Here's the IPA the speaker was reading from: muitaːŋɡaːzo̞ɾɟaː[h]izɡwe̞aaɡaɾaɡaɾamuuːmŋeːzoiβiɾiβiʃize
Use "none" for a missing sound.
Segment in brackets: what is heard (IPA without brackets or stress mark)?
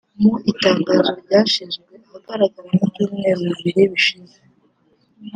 ʃ